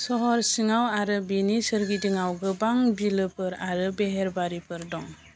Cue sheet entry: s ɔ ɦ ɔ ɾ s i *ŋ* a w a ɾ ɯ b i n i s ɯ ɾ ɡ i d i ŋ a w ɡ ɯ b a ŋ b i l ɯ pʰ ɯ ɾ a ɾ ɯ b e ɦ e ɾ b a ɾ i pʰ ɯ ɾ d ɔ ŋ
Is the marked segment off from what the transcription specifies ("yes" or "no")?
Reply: no